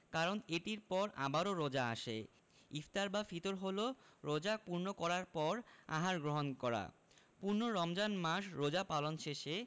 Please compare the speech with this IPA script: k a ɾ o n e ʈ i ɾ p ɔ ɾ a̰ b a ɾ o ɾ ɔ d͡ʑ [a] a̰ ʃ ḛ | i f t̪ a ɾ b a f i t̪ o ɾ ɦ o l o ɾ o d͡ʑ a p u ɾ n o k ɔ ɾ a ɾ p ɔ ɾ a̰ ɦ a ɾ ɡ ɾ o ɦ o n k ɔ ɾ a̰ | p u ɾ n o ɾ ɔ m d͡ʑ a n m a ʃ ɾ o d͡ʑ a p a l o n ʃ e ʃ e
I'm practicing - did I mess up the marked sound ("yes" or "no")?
no